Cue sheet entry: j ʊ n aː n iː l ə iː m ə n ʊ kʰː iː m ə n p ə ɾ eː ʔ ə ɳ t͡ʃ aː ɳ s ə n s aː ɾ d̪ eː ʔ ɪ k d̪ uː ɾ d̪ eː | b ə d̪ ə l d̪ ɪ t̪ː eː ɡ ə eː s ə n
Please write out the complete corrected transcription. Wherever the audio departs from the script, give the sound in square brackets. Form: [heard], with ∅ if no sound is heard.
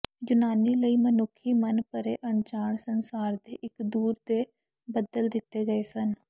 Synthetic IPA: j ʊ n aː n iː l ə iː m ə n ʊ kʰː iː m ə n p ə ɾ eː ʔ ə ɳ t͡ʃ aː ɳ s ə n s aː ɾ d̪ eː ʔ ɪ k d̪ uː ɾ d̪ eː | b ə d̪ ə l d̪ ɪ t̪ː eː ɡ ə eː s ə n

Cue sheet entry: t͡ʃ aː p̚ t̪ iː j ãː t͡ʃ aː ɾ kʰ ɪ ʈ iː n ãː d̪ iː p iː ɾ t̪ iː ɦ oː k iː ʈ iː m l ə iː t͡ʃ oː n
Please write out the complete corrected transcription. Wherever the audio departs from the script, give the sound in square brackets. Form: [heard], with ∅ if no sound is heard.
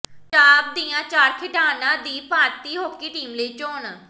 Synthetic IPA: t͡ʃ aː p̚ [d̪] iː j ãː t͡ʃ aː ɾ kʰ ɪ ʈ [aː] n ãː d̪ iː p [aː] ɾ t̪ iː ɦ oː k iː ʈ iː m l ə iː t͡ʃ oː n

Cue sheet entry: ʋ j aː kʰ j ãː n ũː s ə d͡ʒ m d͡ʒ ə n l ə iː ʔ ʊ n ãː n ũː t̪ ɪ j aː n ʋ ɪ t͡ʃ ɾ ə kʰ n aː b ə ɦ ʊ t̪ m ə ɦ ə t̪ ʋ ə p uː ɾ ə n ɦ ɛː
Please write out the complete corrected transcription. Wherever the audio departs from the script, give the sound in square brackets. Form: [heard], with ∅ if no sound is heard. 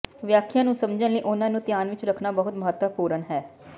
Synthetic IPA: ʋ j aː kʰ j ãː n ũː s ə [∅] m d͡ʒ ə n l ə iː ʔ ʊ n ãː n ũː t̪ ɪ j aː n ʋ ɪ t͡ʃ ɾ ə kʰ n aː b ə ɦ ʊ t̪ m ə ɦ ə t̪ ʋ ə p uː ɾ ə n ɦ ɛː

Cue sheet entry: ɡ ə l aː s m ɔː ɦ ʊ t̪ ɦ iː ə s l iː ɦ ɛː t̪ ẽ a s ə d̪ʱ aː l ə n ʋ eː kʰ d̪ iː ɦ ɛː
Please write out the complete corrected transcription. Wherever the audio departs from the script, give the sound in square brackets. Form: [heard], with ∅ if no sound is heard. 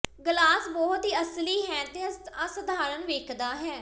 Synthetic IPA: ɡ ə l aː s [b] ɔː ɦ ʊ t̪ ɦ iː ə s l iː ɦ ɛː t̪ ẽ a s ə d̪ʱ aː [ɾ] ə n ʋ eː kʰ d̪ [aː] ɦ ɛː

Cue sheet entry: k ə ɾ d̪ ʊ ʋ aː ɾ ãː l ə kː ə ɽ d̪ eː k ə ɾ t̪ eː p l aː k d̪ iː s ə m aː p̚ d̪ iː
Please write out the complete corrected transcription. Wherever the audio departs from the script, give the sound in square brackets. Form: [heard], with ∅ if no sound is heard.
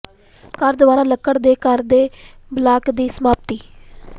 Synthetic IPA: k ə ɾ d̪ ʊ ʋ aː ɾ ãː l ə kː ə ɽ d̪ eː k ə ɾ [d̪] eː [b] l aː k d̪ iː s ə m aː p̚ [t̪] iː

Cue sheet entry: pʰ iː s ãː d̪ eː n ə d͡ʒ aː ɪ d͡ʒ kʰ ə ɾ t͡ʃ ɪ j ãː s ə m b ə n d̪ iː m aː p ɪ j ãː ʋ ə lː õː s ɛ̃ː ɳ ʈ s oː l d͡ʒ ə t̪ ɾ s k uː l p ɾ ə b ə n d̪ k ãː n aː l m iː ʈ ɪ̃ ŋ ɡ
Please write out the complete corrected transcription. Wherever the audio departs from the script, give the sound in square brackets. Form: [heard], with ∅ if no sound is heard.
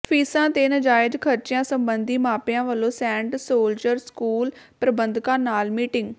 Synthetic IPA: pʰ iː s ãː [t̪] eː n ə d͡ʒ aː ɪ d͡ʒ kʰ ə ɾ t͡ʃ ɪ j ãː s ə m b ə n d̪ iː m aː p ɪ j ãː ʋ ə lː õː s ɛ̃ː ɳ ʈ s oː l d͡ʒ ə [∅] ɾ s k uː l p ɾ ə b ə n d̪ k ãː n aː l m iː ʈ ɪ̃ ŋ ɡ

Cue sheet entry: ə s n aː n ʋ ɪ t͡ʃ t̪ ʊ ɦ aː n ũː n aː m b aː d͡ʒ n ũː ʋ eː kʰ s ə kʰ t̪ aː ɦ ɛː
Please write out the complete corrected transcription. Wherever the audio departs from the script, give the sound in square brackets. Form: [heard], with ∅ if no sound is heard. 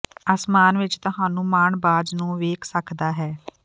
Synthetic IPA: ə s [m] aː n ʋ ɪ t͡ʃ t̪ ʊ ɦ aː n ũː [m] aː [ɳ] b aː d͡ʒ n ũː ʋ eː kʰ s ə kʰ [d̪] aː ɦ ɛː

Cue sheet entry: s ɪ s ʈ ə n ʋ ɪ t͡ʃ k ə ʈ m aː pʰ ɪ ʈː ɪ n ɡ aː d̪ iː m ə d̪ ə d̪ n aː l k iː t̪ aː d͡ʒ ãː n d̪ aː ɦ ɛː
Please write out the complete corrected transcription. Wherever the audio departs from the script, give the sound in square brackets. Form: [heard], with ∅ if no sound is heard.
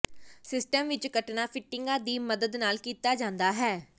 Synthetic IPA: s ɪ s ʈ ə [m] ʋ ɪ t͡ʃ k ə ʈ [n] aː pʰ ɪ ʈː ɪ [ŋ] ɡ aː d̪ iː m ə d̪ ə d̪ n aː l k iː t̪ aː d͡ʒ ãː n d̪ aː ɦ ɛː

